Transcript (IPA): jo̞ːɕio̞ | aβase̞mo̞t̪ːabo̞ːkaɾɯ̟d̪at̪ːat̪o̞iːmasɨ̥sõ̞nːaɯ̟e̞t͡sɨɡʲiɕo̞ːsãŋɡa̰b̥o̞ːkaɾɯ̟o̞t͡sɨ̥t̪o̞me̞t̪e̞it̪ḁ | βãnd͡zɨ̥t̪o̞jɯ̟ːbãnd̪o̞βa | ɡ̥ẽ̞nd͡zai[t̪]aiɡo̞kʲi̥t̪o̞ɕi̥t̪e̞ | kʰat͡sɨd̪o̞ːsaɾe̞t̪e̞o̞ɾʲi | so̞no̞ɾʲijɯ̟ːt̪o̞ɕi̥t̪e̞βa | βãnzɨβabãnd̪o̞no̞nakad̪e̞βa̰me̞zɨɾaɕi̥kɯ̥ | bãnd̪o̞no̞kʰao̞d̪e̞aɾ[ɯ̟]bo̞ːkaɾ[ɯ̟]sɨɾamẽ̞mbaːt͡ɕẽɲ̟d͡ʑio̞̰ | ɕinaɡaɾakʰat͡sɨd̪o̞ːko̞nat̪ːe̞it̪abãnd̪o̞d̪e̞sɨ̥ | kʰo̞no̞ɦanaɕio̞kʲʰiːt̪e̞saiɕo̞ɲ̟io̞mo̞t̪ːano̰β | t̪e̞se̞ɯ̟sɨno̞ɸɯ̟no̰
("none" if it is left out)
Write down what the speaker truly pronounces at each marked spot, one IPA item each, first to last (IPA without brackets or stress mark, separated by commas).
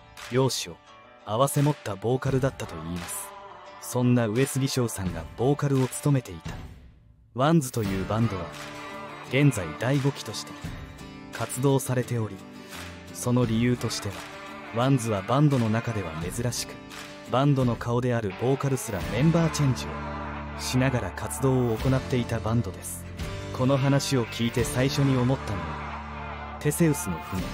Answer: d̪, ɯ̟, ɯ̟